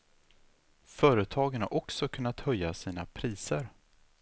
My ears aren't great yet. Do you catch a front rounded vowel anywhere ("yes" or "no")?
yes